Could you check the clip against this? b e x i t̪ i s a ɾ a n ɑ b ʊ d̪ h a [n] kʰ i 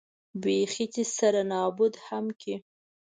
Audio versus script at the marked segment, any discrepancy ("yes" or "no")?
yes